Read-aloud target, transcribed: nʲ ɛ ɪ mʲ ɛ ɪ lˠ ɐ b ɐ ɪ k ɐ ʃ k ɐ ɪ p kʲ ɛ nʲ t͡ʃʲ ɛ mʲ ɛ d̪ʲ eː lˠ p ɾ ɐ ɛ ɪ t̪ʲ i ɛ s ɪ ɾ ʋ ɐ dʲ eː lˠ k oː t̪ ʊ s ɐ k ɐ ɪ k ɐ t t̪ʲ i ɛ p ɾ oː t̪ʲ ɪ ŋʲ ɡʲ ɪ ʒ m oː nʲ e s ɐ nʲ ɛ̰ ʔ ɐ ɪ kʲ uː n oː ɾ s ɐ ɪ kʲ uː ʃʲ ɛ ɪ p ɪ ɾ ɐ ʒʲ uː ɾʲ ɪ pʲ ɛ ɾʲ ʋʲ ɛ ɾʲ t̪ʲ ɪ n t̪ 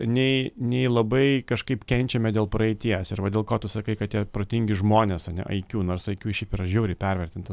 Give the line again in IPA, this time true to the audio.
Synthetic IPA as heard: nʲ ɛ ɪ nʲ ɛ ɪ lˠ ɐ b ɐ ɪ k ɐ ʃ k ɐ ɪ p kʲ ɛ nʲ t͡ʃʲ ɛ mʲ ɛ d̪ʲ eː lˠ p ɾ ɐ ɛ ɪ t̪ʲ i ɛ s ɪ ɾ ʋ ɐ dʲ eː lˠ k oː t̪ ʊ s ɐ k ɐ ɪ k ɐ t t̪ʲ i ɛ p ɾ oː t̪ʲ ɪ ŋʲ ɡʲ ɪ ʒ m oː nʲ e s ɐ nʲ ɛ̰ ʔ ɐ ɪ kʲ uː n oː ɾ s ɐ ɪ kʲ uː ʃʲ ɛ ɪ p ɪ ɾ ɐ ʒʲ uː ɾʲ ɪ pʲ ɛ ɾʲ ʋʲ ɛ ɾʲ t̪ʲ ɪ n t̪

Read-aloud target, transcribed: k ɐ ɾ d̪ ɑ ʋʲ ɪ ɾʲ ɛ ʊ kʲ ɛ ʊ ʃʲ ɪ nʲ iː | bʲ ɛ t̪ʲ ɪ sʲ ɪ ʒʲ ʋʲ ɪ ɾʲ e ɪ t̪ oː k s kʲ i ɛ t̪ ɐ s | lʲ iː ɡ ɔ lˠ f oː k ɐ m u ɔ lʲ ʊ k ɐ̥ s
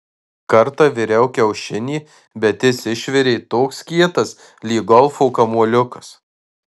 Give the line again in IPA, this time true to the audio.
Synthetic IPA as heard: k ɐ ɾ t̪ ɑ ʋʲ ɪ ɾʲ ɛ ʊ kʲ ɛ ʊ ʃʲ ɪ nʲ iː | bʲ ɛ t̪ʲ ɪ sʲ ɪ ʃʲ ʋʲ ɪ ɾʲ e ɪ t̪ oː k s kʲ i ɛ t̪ ɐ s | lʲ iː ɡ ɔ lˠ f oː k ɐ m u ɔ lʲ ʊ k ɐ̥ s

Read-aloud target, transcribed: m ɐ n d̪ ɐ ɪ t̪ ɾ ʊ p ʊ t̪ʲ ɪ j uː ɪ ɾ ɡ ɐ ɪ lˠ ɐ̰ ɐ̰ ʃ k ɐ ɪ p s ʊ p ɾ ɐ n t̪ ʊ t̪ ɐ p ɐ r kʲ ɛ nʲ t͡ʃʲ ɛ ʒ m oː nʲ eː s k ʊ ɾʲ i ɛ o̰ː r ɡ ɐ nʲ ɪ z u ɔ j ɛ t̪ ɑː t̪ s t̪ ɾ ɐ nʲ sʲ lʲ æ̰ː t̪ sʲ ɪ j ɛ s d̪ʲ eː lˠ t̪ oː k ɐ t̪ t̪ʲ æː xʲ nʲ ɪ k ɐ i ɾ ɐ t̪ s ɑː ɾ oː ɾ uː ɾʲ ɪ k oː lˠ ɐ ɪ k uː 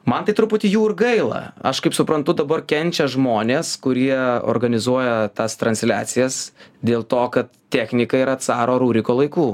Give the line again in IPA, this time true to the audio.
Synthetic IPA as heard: m ɐ n t̪ ɐ ɪ t̪ ɾ ʊ p ʊ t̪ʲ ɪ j uː ɪ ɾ ɡ ɐ ɪ lˠ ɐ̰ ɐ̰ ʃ k ɐ ɪ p s ʊ p ɾ ɐ n t̪ ʊ d̪ ɐ b ɐ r kʲ ɛ nʲ t͡ʃʲ ɛ ʒ m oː nʲ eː s k ʊ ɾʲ i ɛ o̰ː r ɡ ɐ nʲ ɪ z u ɔ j ɛ t̪ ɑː s t̪ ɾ ɐ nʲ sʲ lʲ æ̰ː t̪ sʲ ɪ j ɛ s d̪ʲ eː lˠ t̪ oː k ɐ t̪ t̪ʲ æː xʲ nʲ ɪ k ɐ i ɾ ɐ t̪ s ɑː ɾ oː ɾ uː ɾʲ ɪ k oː lˠ ɐ ɪ k uː

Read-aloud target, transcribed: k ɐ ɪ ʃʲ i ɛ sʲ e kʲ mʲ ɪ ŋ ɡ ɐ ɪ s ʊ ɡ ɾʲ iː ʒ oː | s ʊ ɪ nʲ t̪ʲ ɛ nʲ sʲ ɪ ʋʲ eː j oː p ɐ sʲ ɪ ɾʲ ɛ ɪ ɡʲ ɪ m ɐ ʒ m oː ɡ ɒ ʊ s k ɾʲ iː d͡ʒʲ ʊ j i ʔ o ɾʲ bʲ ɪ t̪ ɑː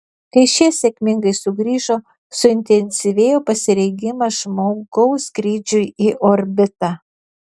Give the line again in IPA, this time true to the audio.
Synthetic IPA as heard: k ɐ ɪ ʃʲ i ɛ sʲ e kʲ mʲ ɪ ŋ ɡ ɐ ɪ s ʊ ɡ ɾʲ iː ʒ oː | s ʊ ɪ nʲ t̪ʲ ɛ nʲ sʲ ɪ ʋʲ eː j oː p ɐ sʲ ɪ ɾʲ ɛ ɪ ɡʲ ɪ m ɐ ʒ m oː ɡ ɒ ʊ s k ɾʲ iː d͡ʒʲ ʊ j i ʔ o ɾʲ bʲ ɪ t̪ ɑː

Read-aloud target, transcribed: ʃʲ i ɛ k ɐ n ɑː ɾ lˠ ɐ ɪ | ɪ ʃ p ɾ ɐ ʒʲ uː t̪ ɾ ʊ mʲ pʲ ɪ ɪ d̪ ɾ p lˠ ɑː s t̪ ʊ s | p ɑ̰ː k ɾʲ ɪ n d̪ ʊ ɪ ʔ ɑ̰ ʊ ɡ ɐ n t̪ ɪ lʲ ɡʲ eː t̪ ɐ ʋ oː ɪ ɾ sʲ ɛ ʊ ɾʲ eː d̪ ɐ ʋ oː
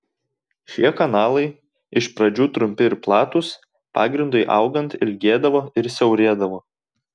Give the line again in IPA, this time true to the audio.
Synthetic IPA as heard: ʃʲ i ɛ k ɐ n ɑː lˠ ɐ ɪ | ɪ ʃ p ɾ ɐ d͡ʒʲ uː t̪ ɾ ʊ mʲ pʲ ɪ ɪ ɾ p lˠ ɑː t̪ ʊ s | p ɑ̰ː ɡ ɾʲ ɪ n d̪ ʊ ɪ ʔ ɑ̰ ʊ ɡ ɐ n t̪ ɪ lʲ ɡʲ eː d̪ ɐ ʋ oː ɪ ɾ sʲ ɛ ʊ ɾʲ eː d̪ ɐ ʋ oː

